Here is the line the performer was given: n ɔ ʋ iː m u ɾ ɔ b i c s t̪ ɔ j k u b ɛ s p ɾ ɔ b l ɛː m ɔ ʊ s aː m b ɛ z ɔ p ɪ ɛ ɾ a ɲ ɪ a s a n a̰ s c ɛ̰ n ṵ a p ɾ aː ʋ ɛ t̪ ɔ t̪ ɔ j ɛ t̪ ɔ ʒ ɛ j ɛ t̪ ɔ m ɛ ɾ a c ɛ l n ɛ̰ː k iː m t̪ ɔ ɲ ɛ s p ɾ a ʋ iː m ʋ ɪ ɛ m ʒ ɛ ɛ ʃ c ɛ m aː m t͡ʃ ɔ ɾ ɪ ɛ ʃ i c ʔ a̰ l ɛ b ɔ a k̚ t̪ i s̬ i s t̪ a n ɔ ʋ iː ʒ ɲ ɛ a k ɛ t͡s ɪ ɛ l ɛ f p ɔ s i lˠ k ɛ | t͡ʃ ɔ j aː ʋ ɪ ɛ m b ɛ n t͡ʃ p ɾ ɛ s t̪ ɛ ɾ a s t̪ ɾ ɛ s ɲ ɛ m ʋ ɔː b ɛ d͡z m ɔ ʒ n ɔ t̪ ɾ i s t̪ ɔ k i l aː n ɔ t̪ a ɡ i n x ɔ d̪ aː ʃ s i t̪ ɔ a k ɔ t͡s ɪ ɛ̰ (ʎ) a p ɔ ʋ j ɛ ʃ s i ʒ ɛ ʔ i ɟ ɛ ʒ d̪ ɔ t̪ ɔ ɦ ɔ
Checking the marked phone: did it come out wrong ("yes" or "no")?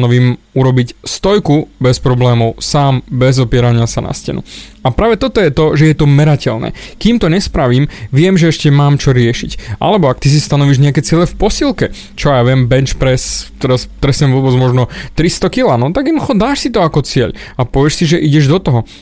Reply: no